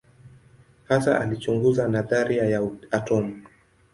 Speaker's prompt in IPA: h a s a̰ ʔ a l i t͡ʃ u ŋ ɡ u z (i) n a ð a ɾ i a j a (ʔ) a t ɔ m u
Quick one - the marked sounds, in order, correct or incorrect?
incorrect: a, incorrect: none

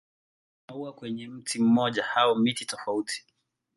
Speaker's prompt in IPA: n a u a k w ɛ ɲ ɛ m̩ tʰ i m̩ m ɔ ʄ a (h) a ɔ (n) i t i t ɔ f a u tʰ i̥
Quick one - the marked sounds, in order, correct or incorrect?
correct, incorrect: m

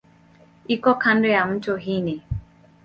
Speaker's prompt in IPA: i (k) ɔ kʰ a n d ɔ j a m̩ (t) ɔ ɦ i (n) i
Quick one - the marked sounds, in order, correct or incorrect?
correct, correct, correct

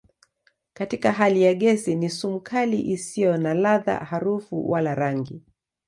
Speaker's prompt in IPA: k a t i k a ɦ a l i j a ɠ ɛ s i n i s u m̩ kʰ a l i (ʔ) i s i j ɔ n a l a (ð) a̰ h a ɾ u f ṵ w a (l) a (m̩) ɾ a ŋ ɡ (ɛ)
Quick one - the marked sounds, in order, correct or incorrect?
correct, correct, correct, incorrect: none, incorrect: i

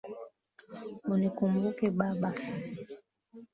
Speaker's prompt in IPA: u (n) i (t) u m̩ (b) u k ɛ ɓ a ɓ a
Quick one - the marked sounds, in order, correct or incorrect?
correct, incorrect: k, correct

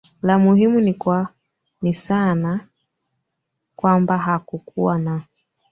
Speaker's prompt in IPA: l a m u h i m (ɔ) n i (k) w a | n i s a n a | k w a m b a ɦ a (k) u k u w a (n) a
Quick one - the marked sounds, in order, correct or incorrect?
incorrect: u, correct, correct, correct

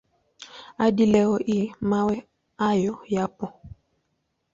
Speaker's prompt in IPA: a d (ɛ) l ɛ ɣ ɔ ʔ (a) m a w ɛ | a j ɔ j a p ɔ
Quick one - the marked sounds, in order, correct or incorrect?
incorrect: i, incorrect: i

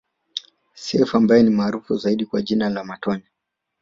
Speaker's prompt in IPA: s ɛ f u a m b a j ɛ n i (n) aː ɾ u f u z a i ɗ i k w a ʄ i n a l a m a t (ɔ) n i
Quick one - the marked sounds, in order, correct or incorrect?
incorrect: m, correct

